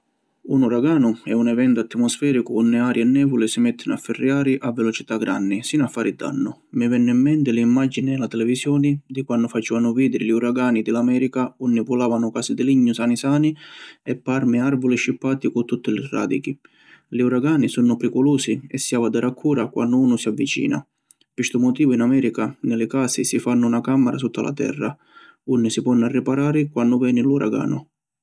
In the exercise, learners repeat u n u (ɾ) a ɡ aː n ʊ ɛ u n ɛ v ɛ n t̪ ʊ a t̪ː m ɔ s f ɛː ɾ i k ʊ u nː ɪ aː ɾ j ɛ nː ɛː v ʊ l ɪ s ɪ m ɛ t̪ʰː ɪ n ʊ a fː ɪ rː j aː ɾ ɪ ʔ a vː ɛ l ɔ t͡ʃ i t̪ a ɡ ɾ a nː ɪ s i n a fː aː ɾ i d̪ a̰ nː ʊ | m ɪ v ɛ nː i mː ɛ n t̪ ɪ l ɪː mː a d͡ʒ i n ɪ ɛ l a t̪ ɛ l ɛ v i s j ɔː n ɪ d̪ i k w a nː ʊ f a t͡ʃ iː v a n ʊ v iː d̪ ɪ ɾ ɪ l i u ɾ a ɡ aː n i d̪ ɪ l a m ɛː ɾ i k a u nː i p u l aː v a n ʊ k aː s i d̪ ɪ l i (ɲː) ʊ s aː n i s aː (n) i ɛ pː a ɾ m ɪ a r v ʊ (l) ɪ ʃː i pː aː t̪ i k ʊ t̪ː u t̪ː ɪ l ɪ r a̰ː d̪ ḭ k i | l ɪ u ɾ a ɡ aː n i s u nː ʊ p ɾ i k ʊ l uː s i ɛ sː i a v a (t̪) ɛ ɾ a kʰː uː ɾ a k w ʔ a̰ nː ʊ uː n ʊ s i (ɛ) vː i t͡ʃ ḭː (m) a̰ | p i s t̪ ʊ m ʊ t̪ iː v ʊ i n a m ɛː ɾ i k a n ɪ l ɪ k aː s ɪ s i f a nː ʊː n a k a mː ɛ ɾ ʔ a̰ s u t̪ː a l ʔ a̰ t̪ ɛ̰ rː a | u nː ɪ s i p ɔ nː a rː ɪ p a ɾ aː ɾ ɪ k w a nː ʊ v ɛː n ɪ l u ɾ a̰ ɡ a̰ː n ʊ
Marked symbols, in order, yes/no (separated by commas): yes, yes, yes, yes, no, no, no